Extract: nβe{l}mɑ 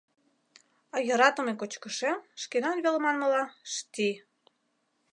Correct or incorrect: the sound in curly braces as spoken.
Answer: correct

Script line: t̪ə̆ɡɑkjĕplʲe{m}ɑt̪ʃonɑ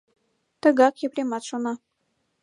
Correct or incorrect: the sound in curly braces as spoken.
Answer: correct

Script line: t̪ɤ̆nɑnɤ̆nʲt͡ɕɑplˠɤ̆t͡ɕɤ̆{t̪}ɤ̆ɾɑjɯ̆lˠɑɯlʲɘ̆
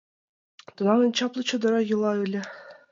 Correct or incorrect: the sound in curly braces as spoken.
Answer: incorrect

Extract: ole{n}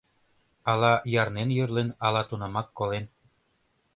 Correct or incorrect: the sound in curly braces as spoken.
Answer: correct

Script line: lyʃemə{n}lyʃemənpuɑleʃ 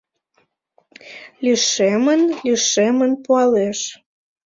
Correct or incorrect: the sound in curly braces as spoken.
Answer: correct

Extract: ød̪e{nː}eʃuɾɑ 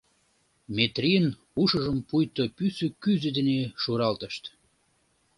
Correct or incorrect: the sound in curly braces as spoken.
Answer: incorrect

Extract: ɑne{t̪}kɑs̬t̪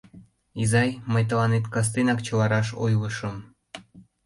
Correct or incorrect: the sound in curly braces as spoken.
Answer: correct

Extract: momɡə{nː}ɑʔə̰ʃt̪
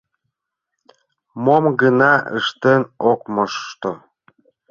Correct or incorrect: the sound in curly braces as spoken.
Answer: incorrect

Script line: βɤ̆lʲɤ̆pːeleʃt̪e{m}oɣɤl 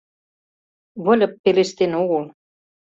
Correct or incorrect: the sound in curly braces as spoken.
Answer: incorrect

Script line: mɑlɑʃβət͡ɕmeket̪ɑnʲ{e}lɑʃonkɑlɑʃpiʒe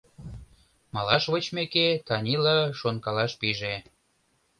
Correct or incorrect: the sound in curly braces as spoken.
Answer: incorrect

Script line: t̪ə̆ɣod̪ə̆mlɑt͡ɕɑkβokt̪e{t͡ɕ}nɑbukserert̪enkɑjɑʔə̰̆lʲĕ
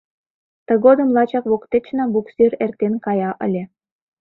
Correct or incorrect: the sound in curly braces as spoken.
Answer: correct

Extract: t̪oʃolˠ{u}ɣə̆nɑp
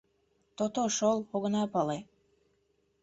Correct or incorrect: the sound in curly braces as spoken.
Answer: incorrect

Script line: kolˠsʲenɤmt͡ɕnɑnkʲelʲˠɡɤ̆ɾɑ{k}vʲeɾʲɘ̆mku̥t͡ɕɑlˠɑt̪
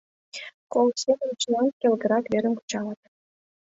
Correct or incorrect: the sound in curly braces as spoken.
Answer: correct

